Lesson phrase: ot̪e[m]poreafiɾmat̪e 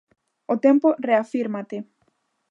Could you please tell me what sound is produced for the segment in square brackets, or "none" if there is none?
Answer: m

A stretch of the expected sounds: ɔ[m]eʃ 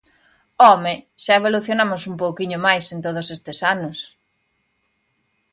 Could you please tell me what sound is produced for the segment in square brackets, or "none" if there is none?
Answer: m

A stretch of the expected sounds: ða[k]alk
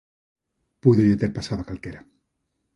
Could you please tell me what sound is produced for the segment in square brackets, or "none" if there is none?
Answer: k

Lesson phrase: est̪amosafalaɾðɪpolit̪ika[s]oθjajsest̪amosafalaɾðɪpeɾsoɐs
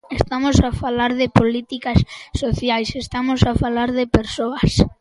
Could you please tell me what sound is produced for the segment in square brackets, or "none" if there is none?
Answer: sː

